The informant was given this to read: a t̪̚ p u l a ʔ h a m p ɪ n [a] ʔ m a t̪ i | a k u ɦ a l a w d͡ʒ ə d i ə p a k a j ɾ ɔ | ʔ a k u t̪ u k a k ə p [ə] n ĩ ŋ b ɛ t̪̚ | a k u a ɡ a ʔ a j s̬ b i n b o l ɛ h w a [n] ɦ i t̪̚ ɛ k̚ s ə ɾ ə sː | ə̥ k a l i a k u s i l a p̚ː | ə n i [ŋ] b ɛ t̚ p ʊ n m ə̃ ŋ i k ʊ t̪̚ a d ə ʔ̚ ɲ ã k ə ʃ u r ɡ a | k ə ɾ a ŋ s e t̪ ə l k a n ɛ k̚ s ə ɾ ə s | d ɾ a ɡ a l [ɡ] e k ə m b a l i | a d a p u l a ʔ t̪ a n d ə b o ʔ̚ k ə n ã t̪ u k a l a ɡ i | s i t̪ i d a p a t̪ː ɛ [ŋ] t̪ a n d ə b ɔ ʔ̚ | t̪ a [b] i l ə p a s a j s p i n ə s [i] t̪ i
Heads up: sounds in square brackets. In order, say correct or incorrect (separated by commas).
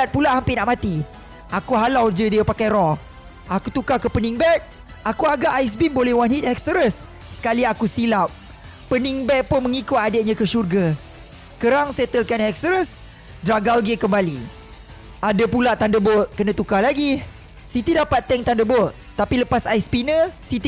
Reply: correct, correct, correct, correct, correct, correct, incorrect, correct